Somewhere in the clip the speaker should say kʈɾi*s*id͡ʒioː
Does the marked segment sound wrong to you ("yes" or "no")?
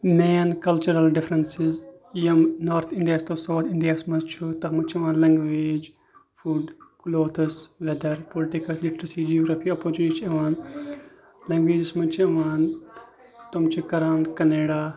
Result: no